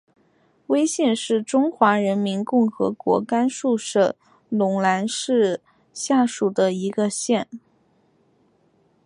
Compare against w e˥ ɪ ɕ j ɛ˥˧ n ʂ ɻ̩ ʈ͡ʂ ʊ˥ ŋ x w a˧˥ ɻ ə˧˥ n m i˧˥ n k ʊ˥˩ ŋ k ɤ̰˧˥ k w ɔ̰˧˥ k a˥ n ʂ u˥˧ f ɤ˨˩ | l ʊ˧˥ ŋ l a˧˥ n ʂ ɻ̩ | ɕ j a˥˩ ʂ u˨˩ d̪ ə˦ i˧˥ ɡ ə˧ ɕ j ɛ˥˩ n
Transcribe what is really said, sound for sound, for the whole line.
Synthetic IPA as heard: w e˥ ɪ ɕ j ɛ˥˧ n ʂ ɻ̩ ʈ͡ʂ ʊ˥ ŋ x w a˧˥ ɻ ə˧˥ n m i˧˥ n k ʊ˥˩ ŋ x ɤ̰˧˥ k w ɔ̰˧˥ k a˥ n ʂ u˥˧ ʂ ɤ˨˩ | l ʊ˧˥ ŋ l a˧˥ n ʂ ɻ̩ | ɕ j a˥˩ ʂ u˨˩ d̪ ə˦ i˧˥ ɡ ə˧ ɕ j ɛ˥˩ n

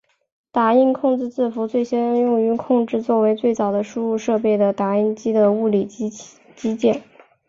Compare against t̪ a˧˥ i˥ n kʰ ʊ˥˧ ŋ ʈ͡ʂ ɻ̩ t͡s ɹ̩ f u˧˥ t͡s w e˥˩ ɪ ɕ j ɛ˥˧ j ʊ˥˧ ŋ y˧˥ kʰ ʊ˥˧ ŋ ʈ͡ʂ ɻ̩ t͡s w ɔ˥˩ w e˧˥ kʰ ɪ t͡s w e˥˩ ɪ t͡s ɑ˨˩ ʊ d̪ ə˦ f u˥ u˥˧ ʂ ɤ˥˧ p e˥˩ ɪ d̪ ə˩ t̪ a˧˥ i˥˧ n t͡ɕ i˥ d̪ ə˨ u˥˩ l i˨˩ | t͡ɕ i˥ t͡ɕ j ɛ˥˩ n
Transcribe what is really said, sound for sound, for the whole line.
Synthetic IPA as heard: t̪ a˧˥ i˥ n kʰ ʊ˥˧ ŋ ʈ͡ʂ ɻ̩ t͡s ɹ̩ f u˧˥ t͡s w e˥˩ ɪ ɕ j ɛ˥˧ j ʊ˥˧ ŋ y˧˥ kʰ ʊ˥˧ ŋ ʈ͡ʂ ɻ̩ t͡s w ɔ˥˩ w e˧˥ ɪ t͡s w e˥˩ ɪ t͡s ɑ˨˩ ʊ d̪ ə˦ ʂ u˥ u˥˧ ʂ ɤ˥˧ p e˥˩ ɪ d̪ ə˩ t̪ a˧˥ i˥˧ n t͡ɕ i˥ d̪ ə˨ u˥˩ l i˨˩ | t͡ɕ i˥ t͡ɕ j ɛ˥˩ n

